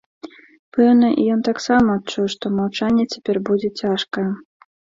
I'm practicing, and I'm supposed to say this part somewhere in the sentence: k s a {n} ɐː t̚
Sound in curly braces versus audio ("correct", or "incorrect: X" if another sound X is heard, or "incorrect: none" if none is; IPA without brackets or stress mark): incorrect: m